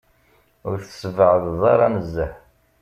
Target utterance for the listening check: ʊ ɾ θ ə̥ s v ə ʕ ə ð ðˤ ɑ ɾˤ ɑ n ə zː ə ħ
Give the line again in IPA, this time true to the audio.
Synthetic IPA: ʊ ɾ θ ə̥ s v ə ʕ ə ð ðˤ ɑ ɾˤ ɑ n ə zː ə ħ